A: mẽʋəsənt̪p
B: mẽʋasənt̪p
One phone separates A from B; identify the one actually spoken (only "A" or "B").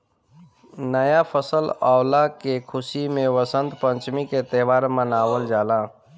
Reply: A